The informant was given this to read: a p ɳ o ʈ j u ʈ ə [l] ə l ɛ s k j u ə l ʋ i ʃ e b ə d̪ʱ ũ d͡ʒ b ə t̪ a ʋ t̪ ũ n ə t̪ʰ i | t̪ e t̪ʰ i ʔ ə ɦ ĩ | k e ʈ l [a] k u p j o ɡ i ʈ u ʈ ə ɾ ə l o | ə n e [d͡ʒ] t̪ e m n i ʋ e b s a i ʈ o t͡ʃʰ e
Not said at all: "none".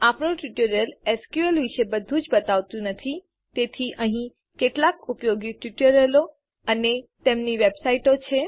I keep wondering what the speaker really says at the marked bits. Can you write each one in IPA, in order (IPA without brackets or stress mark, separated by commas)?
ɾ, a, none